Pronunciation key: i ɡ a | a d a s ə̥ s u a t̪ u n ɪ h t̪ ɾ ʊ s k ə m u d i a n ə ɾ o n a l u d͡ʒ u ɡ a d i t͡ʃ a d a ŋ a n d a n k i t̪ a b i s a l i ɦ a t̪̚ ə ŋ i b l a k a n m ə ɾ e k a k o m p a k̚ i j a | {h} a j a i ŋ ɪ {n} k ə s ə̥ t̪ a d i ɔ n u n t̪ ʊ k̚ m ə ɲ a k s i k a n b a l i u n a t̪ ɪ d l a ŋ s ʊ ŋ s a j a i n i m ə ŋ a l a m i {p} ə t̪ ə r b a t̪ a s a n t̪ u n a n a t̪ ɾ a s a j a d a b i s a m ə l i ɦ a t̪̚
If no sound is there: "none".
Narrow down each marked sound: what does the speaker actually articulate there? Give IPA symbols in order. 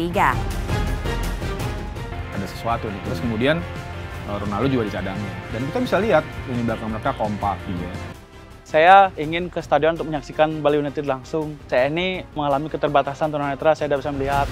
s, n, k

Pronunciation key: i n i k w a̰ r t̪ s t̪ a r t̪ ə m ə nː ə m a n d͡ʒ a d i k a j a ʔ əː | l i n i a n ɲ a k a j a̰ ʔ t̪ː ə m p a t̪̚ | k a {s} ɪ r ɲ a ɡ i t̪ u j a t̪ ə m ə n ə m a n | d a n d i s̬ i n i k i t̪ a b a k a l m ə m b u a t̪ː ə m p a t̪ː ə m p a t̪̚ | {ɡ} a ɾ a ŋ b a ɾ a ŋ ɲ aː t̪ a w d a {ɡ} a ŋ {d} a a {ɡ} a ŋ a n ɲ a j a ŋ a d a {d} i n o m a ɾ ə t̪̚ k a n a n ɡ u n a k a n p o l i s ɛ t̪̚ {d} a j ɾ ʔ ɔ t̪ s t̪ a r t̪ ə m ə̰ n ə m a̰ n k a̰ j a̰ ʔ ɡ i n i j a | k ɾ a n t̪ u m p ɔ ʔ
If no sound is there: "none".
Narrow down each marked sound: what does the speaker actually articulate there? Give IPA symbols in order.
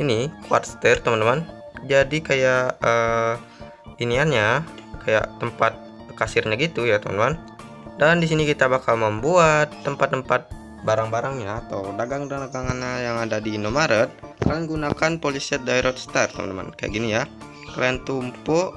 s, b, ɡ, d, ɡ, d, d

